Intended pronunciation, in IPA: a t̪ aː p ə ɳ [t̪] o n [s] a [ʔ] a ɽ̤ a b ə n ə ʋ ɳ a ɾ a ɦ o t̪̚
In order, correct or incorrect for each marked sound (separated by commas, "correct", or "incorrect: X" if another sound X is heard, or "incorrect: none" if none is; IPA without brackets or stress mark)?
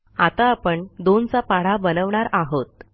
incorrect: d̪, incorrect: t͡s, incorrect: p